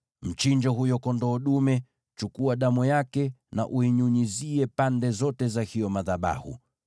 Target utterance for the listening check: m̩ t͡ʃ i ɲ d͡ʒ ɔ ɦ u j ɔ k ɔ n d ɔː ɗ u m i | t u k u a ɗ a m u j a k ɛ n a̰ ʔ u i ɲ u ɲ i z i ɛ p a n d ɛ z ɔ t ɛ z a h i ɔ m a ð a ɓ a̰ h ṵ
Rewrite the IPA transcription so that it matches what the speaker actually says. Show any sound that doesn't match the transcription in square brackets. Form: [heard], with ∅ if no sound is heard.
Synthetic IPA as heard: m̩ t͡ʃ i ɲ d͡ʒ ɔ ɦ u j ɔ k ɔ n d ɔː ɗ u m [ɛ] | [t͡ʃ] u k u a ɗ a m u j a k ɛ n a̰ ʔ u i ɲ u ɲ i z i ɛ p a n d ɛ z ɔ t ɛ z a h i ɔ m a ð a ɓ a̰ h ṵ